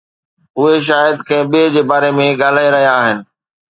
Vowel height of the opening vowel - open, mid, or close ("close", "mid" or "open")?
close